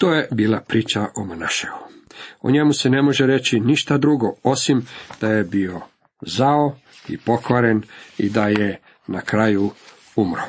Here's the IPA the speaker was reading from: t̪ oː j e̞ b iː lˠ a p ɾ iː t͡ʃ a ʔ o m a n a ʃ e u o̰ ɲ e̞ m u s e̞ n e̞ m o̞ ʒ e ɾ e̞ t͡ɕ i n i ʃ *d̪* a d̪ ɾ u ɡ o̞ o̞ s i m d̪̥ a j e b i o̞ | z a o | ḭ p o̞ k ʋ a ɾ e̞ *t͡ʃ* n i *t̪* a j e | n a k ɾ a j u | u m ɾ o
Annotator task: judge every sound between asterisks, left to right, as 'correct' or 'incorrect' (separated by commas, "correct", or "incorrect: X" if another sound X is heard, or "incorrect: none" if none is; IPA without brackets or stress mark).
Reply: incorrect: t̪, incorrect: none, incorrect: d̪